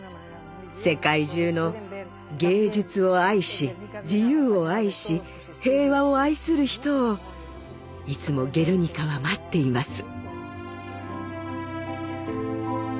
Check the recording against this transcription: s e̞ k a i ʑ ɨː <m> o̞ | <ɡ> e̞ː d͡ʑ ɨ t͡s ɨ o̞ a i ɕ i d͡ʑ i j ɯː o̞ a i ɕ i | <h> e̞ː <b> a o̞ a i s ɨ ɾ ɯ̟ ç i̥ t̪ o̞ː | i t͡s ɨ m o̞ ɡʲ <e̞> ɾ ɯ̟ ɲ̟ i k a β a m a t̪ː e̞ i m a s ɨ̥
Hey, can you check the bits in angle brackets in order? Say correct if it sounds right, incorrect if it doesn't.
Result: incorrect, correct, correct, incorrect, correct

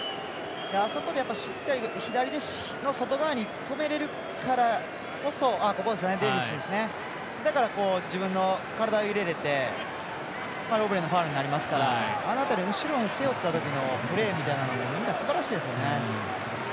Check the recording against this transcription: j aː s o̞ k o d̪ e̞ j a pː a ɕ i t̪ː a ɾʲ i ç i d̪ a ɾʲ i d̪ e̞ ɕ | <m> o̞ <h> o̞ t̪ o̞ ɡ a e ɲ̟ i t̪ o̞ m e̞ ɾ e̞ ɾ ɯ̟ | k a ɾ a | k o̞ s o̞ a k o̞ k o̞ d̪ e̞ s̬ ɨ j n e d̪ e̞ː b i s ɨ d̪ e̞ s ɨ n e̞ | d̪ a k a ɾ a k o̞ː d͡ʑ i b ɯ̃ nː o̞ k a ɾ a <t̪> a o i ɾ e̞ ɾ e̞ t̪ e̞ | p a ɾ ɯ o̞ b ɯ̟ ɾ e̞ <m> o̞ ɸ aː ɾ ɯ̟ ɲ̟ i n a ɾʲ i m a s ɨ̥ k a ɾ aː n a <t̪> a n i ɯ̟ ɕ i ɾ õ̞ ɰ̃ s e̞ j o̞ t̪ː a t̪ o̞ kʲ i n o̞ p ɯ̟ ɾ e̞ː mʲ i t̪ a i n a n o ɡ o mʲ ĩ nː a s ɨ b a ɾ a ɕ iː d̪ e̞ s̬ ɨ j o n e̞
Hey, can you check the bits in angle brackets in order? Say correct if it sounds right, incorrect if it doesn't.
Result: incorrect, incorrect, incorrect, incorrect, correct

